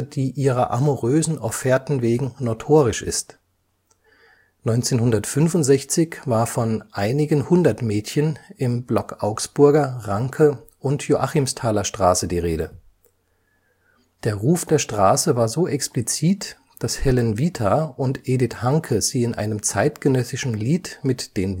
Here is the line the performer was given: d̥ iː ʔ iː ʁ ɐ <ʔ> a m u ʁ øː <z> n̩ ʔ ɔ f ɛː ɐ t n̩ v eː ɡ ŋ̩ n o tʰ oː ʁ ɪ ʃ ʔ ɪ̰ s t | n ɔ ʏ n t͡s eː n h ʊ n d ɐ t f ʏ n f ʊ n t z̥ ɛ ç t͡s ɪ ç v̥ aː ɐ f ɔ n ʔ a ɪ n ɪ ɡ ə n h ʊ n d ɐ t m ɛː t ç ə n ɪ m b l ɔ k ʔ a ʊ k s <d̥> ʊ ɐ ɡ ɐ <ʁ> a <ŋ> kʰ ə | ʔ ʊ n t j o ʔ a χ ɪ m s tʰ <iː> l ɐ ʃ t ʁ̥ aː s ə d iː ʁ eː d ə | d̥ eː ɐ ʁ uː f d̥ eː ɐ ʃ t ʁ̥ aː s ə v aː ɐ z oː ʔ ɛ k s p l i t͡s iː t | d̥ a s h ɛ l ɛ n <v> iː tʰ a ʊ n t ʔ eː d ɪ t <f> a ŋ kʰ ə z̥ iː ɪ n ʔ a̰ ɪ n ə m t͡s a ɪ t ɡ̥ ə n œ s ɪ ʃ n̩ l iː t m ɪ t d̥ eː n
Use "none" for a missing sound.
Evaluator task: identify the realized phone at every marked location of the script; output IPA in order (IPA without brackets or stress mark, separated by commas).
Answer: ʔ, z, b̥, ʁ, ŋ, aː, v, h